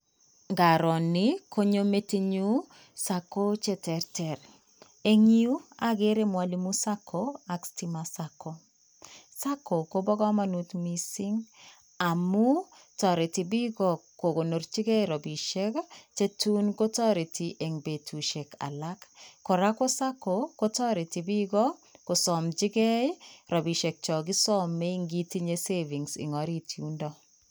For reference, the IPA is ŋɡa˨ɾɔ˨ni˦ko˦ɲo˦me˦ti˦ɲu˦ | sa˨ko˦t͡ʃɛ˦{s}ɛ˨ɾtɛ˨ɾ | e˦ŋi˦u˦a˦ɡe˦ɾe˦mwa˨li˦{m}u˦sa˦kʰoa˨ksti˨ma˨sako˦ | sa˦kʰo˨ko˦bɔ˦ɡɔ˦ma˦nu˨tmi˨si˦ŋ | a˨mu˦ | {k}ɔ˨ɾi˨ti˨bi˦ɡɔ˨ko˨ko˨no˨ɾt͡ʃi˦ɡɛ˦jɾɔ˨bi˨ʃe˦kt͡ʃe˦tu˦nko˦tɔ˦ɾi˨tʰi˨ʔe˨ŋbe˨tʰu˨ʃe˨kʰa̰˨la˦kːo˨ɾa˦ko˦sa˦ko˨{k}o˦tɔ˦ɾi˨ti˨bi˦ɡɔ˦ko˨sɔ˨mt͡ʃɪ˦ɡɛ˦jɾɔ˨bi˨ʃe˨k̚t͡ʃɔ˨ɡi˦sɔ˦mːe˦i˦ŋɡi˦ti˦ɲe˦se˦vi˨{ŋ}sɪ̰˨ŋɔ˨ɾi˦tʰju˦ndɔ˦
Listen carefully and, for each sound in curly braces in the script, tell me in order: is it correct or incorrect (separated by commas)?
incorrect, correct, incorrect, correct, correct